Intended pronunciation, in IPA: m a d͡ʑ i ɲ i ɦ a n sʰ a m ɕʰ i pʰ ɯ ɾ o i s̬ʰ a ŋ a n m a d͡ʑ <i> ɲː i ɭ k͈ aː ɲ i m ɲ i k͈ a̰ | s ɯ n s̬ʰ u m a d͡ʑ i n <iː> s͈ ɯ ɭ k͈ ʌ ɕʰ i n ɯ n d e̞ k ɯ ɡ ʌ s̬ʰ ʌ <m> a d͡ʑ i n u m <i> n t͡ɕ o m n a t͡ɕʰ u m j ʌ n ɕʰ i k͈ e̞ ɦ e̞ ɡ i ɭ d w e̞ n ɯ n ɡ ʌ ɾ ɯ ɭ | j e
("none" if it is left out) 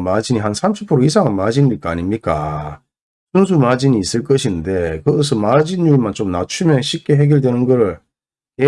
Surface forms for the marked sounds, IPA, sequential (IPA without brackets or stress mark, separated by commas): i, iː, m, a